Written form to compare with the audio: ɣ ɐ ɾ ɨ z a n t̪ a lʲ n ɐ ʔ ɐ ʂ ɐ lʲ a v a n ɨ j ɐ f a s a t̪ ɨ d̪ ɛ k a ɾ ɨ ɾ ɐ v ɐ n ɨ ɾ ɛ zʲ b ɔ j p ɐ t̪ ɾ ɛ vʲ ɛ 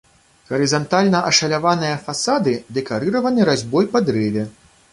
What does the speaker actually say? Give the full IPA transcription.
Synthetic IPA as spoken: ɣ ɐ ɾ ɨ z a n t̪ a lʲ n ɐ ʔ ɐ ʂ ɐ lʲ a v a n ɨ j ɐ f a s a d̪ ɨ d̪ ɛ k a ɾ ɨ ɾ ɐ v ɐ n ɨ ɾ a zʲ b ɔ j p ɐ d̪ ɾ ɛ vʲ ɛ